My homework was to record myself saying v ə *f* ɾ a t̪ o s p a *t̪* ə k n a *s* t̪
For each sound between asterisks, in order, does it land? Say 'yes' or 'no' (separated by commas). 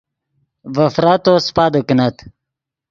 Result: yes, no, no